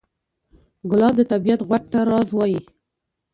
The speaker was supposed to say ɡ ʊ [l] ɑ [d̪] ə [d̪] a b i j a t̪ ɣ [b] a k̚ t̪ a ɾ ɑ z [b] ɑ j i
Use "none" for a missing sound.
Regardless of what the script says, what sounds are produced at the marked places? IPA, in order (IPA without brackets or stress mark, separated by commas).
l, d̪, t̪, w, w